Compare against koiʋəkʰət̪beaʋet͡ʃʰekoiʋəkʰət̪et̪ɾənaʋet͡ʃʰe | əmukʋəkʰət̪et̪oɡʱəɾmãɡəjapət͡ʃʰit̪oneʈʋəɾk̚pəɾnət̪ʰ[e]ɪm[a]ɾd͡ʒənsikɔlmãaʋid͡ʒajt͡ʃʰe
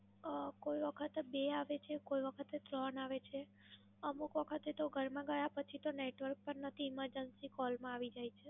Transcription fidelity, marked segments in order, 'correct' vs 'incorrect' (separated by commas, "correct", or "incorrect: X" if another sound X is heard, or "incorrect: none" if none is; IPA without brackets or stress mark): incorrect: i, incorrect: ə